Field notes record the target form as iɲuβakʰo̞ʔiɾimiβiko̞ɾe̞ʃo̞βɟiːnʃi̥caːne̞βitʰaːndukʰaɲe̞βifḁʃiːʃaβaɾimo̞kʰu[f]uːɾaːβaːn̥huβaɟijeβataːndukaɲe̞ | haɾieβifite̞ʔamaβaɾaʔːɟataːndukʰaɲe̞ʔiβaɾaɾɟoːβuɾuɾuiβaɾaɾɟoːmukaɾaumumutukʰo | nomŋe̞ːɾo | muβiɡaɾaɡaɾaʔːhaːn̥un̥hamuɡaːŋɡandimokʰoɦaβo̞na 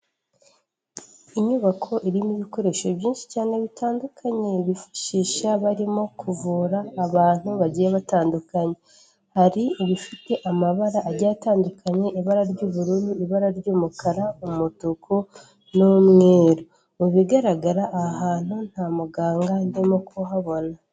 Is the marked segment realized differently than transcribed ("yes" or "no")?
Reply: yes